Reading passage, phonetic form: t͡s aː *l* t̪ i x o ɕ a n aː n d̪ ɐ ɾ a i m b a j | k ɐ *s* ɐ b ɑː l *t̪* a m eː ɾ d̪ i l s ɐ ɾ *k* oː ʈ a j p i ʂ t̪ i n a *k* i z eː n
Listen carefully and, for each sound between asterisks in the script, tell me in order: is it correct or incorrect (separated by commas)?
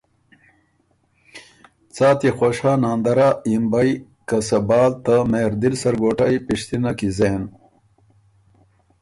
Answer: incorrect, correct, correct, incorrect, correct